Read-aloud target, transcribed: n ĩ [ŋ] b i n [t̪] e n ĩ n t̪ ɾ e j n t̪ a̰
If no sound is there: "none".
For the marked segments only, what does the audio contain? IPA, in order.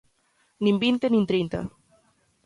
m, t̪

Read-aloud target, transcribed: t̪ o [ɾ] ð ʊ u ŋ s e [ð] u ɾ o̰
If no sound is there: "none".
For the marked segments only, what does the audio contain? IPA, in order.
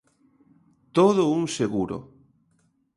none, ɣ

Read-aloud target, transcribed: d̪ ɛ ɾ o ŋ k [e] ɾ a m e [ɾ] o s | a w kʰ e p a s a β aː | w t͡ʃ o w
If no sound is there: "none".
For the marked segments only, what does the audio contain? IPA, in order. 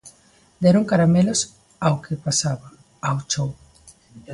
a, l

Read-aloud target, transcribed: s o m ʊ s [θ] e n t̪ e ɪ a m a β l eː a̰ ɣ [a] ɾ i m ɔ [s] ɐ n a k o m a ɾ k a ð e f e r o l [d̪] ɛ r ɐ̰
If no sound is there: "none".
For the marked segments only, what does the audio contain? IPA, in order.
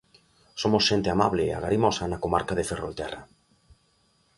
ʃ, a, s, t̪

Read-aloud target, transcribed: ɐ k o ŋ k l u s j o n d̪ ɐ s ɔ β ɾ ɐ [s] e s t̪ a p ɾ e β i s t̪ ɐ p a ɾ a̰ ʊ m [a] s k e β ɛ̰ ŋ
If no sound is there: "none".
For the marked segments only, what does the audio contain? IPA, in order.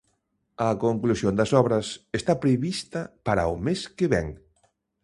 s, e

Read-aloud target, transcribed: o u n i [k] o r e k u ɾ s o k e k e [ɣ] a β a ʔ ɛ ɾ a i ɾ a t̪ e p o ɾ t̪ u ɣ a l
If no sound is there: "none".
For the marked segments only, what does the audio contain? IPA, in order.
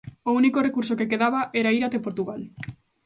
k, ð

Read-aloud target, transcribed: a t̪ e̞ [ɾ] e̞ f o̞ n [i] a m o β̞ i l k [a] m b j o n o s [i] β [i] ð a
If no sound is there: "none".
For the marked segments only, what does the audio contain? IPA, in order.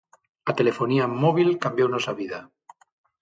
l, i, a, a, i

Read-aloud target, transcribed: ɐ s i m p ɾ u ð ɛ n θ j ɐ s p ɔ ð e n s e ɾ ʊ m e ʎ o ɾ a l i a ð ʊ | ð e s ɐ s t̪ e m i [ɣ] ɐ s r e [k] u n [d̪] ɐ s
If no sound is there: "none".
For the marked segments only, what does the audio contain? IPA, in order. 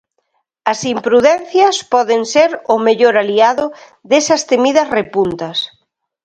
ð, p, t̪

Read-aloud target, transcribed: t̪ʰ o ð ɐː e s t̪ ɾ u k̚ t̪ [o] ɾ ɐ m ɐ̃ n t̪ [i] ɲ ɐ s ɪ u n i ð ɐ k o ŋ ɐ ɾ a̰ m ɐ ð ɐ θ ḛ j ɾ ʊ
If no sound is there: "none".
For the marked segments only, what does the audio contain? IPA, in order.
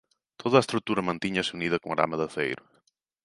u, i

